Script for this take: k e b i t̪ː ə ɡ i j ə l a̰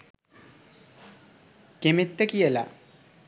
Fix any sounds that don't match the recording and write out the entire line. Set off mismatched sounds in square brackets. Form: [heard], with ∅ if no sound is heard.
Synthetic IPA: k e [m] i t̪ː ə [k] i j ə l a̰